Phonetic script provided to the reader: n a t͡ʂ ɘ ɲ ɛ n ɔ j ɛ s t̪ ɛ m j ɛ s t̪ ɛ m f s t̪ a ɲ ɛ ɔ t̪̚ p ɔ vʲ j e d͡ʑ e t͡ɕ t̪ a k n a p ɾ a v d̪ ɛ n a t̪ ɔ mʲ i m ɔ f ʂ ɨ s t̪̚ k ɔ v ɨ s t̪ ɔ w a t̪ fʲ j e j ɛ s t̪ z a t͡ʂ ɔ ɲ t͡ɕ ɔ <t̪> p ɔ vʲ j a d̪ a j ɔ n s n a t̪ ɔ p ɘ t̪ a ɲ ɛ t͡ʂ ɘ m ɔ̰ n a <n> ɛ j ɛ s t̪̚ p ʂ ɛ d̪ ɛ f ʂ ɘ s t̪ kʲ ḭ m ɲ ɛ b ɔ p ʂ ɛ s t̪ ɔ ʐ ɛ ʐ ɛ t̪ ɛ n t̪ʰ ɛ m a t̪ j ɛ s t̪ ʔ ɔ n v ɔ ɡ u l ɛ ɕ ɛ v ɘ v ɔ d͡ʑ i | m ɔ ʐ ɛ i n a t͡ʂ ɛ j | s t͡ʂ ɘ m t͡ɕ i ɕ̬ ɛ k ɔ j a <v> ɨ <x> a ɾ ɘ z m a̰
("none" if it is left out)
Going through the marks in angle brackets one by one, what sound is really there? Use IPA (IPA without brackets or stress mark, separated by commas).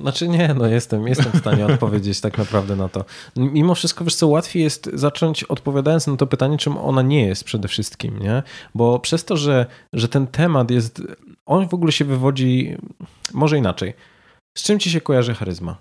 t̪, ɲ, ʐ, x